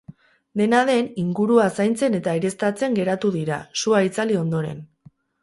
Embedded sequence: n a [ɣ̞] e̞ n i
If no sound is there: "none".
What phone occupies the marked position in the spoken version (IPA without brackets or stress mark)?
ð̞